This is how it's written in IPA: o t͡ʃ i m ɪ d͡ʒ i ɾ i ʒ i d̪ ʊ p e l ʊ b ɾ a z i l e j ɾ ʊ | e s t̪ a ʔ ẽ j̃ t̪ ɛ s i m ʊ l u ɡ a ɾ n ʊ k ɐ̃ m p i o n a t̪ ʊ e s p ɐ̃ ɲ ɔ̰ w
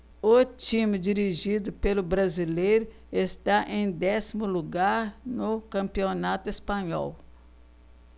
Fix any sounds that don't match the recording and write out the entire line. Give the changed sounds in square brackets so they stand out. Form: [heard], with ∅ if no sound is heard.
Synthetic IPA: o t͡ʃ i m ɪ d͡ʒ i ɾ i ʒ i d̪ ʊ p e l ʊ b ɾ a z i l e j ɾ ʊ | e s t̪ a ʔ ẽ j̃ [d̪] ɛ s i m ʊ l u ɡ a ɾ n ʊ k ɐ̃ m p i o n a t̪ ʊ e s p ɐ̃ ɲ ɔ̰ w